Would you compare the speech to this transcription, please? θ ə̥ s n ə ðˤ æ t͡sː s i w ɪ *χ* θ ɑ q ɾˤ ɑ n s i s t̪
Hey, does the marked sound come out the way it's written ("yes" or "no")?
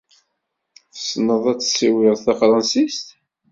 no